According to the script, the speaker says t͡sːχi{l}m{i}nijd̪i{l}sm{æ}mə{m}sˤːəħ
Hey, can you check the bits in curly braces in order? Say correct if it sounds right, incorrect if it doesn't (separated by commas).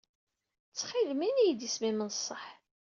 correct, correct, incorrect, incorrect, incorrect